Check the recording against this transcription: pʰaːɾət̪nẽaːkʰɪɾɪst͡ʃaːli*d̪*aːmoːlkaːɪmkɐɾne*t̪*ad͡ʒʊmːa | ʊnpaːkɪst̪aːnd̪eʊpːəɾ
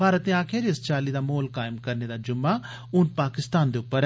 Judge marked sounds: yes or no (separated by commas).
yes, no